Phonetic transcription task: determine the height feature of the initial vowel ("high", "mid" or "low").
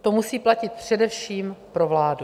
mid